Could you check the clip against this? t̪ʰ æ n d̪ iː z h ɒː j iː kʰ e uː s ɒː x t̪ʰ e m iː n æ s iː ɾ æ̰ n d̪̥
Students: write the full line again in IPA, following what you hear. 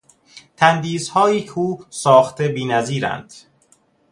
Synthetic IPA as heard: t̪ʰ æ n d̪ iː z h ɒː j iː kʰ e uː s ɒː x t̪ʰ e b iː n æ z iː ɾ æ̰ n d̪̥